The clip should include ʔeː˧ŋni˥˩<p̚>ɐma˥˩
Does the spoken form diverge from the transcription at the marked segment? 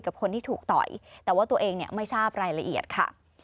yes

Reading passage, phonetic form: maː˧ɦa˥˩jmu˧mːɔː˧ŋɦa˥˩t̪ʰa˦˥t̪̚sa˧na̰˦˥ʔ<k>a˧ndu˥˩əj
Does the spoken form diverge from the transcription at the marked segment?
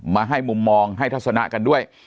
no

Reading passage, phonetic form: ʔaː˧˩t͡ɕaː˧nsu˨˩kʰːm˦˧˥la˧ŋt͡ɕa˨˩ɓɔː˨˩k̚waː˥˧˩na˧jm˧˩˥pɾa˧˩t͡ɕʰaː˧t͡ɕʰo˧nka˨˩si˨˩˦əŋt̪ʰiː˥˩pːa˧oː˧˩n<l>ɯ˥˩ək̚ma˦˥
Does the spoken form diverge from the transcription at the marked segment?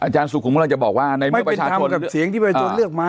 no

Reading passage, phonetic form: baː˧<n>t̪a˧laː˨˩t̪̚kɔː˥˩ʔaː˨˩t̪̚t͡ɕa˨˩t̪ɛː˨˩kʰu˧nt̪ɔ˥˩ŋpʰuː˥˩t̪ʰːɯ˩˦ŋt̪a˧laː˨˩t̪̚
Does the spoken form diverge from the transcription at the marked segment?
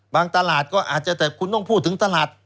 yes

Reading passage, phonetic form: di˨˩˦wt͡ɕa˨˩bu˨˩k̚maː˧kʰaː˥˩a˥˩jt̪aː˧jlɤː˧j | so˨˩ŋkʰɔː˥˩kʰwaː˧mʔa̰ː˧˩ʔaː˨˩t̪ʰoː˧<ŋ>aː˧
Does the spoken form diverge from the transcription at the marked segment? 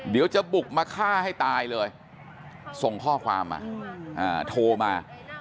yes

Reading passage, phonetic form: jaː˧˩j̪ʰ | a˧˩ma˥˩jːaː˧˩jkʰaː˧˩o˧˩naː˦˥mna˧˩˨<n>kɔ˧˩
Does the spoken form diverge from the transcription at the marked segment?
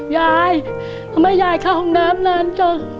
no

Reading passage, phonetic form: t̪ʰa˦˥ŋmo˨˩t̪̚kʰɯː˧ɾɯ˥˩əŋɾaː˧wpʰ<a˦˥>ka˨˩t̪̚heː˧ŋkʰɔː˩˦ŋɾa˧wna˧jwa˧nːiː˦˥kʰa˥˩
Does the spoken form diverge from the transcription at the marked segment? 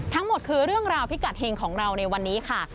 yes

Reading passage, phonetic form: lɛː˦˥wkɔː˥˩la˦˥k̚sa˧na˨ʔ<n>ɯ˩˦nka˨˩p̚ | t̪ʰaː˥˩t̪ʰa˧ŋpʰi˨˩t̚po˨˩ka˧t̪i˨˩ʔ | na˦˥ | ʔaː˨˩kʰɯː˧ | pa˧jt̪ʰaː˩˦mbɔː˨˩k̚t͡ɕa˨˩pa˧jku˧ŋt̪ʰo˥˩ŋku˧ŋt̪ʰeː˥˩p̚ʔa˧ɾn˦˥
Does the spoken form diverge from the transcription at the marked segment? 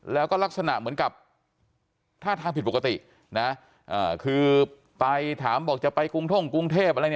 yes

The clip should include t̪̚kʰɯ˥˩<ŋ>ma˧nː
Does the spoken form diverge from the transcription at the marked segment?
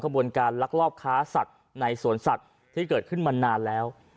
yes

